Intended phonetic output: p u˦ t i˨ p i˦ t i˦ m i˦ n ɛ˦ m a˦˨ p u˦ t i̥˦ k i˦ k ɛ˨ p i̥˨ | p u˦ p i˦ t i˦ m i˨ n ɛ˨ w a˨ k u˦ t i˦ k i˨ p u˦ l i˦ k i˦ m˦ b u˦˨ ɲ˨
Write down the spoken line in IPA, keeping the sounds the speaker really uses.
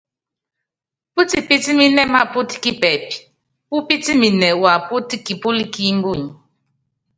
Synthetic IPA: p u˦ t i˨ p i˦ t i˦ m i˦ n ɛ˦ m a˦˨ p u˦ t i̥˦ k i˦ p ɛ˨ p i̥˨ | p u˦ p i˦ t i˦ m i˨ n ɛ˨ w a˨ p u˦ t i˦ k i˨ p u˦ l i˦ k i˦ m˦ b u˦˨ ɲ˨